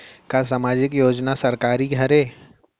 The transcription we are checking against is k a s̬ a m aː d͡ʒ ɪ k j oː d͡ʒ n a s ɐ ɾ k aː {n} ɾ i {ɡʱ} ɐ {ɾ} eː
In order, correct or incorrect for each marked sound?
incorrect: none, correct, correct

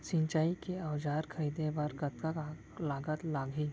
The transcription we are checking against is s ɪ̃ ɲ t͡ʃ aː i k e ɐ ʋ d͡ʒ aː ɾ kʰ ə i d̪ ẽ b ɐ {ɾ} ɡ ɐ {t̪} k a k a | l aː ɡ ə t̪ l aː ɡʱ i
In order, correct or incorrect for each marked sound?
correct, correct

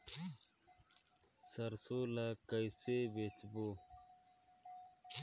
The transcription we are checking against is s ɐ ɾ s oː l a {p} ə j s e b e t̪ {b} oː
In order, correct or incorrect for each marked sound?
incorrect: k, correct

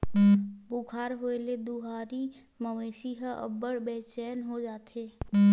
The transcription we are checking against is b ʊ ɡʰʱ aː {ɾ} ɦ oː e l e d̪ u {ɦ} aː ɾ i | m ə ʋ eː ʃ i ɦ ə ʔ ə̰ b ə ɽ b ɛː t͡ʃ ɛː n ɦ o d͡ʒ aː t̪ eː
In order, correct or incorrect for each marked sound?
correct, correct

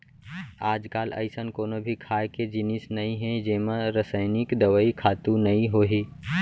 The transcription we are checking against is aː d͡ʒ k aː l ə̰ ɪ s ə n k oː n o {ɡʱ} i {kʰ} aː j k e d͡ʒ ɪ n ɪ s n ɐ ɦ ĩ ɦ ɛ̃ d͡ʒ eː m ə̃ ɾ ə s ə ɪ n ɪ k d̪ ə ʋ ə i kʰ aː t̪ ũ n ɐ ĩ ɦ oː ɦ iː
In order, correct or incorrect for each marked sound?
incorrect: bʱ, correct

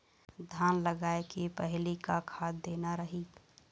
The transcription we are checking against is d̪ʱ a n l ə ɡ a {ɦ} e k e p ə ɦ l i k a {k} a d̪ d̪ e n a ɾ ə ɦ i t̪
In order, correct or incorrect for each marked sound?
incorrect: none, incorrect: kʰ

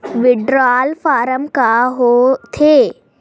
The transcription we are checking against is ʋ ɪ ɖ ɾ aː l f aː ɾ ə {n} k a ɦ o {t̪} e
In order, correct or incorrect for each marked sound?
incorrect: m, incorrect: t̪ʰ

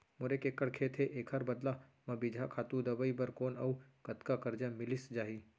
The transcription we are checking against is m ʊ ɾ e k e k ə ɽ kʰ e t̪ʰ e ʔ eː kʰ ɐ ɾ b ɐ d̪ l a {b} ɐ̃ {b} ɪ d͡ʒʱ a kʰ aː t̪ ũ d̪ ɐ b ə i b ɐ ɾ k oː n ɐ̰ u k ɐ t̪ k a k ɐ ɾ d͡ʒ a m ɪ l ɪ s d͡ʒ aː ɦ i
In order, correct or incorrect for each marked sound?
incorrect: m, correct

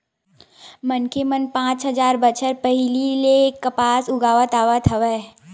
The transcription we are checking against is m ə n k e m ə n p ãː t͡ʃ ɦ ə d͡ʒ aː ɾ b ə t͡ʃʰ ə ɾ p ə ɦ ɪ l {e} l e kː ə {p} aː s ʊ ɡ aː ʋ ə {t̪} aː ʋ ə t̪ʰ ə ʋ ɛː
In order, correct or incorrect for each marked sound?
incorrect: i, correct, correct

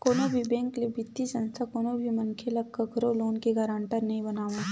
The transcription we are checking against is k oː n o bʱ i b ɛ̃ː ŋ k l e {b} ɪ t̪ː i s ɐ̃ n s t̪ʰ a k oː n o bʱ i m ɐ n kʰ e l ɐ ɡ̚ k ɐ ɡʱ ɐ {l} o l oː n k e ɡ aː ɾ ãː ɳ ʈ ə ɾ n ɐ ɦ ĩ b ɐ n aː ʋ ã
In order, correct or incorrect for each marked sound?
correct, incorrect: ɾ

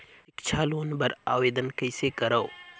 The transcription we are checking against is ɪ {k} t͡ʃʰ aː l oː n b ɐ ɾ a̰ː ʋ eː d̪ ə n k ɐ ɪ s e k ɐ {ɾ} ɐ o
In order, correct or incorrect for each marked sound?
correct, correct

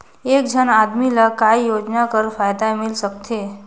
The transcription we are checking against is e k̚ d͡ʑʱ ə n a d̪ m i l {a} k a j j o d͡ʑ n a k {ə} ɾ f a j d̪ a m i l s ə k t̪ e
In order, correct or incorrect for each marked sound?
correct, correct

